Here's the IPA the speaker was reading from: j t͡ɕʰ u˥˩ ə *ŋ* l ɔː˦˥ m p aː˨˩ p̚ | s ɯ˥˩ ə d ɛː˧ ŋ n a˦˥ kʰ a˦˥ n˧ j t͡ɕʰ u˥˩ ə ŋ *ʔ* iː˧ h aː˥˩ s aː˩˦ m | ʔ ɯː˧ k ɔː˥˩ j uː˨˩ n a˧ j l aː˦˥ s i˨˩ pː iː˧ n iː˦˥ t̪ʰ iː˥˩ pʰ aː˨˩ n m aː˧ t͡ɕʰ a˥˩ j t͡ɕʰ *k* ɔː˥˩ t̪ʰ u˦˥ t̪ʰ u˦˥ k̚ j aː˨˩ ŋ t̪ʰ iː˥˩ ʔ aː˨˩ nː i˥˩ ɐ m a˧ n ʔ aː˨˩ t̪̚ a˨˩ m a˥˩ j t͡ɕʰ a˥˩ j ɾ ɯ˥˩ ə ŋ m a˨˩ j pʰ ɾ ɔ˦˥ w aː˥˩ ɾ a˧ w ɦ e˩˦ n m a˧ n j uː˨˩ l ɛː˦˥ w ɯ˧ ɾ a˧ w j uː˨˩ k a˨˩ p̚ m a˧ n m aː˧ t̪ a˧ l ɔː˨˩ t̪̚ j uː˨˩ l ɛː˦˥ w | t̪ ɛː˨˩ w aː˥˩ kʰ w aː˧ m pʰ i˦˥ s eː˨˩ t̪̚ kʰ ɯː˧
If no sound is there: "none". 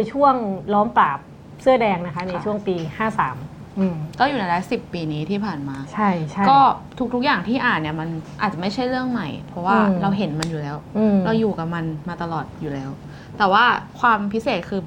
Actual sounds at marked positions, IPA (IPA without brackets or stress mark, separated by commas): ŋ, p, k